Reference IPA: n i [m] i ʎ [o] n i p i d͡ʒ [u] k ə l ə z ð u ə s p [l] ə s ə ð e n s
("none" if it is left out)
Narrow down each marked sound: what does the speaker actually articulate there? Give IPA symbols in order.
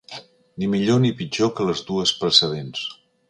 m, o, o, ɾ

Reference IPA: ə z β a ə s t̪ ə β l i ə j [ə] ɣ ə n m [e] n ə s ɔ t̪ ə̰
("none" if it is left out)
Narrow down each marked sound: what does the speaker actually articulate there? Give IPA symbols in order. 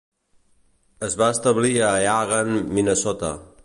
a, i

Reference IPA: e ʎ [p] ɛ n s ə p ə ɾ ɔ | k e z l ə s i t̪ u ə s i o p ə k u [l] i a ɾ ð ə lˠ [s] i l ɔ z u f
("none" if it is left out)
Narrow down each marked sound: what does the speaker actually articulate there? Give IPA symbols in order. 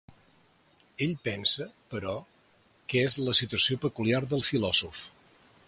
p, l, f

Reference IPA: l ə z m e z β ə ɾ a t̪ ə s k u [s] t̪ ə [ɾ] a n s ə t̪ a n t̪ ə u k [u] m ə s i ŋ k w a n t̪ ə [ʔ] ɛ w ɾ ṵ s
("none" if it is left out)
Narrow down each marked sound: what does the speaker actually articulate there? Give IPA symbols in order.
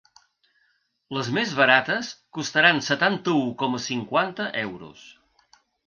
s, ɾ, ɔ, ʔ

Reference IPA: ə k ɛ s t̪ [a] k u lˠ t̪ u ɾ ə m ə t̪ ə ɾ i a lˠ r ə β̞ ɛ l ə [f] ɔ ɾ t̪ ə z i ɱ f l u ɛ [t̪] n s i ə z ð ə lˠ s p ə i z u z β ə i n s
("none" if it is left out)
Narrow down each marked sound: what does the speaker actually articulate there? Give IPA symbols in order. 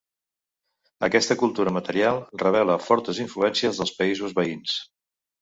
ə, f, none

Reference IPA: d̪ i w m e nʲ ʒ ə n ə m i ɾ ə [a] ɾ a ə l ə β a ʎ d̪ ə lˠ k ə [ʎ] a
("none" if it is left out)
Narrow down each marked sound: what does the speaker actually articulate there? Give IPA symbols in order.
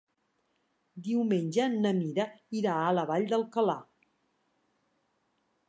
i, l

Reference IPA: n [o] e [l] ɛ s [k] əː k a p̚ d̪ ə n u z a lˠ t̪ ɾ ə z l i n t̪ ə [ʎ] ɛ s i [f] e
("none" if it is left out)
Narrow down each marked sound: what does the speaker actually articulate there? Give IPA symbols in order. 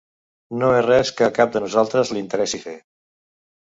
o, r, k, ɾ, f

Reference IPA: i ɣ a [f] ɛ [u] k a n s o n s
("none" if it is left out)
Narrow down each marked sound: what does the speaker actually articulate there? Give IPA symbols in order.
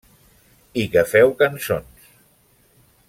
f, w

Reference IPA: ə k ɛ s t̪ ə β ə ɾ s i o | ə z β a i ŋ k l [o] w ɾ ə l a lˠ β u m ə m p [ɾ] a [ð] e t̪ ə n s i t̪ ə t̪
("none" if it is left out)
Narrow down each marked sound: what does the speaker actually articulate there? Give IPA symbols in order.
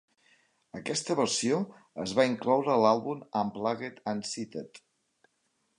ɔ, l, ɣ

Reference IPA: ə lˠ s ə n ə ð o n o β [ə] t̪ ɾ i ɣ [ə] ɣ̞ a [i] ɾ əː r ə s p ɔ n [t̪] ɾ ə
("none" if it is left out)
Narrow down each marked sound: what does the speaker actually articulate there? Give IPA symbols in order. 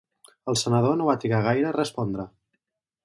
a, a, j, d̪

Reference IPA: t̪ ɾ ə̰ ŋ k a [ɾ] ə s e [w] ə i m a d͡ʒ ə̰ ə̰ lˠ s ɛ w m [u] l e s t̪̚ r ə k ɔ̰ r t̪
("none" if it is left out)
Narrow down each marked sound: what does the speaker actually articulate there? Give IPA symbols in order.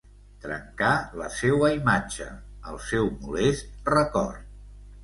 l, w, u

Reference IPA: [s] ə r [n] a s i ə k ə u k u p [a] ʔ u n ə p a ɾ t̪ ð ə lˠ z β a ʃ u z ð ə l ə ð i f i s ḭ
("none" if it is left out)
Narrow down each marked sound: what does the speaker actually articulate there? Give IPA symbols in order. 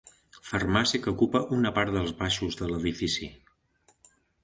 f, m, ə

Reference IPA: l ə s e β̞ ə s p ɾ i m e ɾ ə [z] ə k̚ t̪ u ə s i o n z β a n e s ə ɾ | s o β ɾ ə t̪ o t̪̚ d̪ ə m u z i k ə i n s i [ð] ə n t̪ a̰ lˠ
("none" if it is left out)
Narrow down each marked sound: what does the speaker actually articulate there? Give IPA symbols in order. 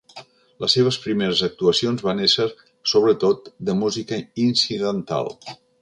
z, ð

